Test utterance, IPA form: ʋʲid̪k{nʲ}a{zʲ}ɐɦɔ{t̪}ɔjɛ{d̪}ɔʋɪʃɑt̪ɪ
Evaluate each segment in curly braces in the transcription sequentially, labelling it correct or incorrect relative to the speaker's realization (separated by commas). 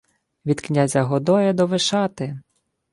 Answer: correct, correct, incorrect, correct